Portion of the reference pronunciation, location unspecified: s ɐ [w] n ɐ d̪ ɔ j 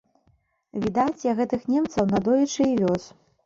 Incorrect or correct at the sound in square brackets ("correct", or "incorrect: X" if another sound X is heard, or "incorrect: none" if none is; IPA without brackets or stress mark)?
correct